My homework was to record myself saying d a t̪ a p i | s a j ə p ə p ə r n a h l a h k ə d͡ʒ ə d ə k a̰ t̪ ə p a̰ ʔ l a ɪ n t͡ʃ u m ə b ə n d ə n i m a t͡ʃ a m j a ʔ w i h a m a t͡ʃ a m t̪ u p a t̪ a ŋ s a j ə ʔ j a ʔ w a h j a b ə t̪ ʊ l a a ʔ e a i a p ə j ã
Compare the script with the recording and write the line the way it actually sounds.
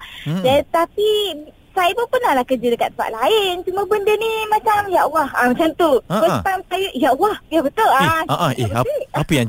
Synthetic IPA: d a t̪ a p i | s a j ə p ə p ə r n a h l a h k ə d͡ʒ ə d ə k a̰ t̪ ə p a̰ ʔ l a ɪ n t͡ʃ u m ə b ə n d ə n i m a t͡ʃ a m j a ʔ w a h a m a t͡ʃ a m t̪ u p ə t̪ a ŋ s a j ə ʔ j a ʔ w a h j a b ə t̪ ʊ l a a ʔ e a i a p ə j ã